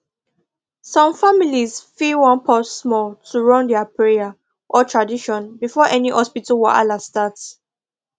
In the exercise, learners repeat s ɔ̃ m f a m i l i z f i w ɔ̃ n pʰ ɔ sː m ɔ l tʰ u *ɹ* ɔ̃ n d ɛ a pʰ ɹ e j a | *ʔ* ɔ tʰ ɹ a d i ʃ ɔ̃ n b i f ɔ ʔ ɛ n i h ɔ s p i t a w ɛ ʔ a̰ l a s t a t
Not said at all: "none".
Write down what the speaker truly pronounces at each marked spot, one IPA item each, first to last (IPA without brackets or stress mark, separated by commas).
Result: ɹ, ʔ